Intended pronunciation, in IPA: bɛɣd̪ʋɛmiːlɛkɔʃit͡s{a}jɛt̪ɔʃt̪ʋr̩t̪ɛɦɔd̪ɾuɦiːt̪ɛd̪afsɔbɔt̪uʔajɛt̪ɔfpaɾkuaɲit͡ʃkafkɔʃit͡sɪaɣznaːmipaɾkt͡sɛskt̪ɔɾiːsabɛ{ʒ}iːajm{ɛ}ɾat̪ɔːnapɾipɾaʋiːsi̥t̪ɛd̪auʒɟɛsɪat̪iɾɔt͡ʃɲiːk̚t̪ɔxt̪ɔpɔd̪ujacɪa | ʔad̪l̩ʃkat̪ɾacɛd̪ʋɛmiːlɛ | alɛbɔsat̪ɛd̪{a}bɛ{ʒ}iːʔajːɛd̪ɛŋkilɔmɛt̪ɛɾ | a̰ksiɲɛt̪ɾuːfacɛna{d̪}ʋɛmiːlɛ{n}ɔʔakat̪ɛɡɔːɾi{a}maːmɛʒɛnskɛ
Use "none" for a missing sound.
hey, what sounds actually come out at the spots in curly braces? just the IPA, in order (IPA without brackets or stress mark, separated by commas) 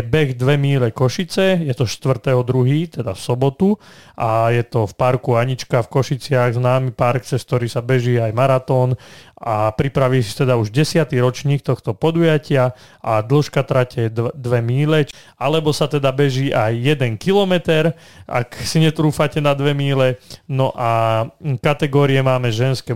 ɛ, ʒ, a, a, ʒ, d̪, n, ɛ